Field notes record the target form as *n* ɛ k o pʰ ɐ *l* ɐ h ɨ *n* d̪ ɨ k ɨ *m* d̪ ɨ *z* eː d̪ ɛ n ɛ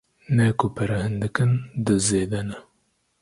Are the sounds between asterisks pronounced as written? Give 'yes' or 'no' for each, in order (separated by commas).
yes, no, yes, no, yes